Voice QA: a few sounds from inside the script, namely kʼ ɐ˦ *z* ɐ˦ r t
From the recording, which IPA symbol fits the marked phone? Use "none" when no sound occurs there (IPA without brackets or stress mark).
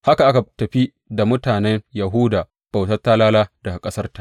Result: s